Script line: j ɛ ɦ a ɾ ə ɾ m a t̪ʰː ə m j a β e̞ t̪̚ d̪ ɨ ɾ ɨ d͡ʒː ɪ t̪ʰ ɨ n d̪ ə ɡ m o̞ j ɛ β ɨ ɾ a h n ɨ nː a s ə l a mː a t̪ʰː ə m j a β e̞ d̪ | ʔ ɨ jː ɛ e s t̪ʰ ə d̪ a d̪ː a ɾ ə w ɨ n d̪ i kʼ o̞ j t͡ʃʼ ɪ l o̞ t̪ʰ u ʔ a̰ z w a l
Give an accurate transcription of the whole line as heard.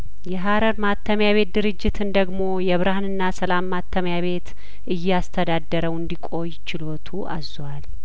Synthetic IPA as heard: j ɛ ɦ a ɾ ə ɾ m a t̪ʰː ə m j a β e̞ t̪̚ d̪ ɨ ɾ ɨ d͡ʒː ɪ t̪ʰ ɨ n d̪ ə ɡ m o̞ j ɛ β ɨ ɾ a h n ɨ nː a s ə l a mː a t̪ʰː ə m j a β e̞ t̪ | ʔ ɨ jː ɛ a s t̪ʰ ə d̪ a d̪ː ə ɾ ə w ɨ n d̪ i kʼ o̞ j t͡ʃ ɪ l o̞ t̪ʰ u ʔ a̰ z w a l